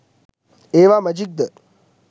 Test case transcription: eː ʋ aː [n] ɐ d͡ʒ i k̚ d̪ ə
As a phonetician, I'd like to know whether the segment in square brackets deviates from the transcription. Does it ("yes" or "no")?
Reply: yes